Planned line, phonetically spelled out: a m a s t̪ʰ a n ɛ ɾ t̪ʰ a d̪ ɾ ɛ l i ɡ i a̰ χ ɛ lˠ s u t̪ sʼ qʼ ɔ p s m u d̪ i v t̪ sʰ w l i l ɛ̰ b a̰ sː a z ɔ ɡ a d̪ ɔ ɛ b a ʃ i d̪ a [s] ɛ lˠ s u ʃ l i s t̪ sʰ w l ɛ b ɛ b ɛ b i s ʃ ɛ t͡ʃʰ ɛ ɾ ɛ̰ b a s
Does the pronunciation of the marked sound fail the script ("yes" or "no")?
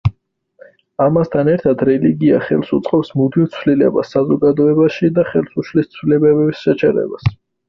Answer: yes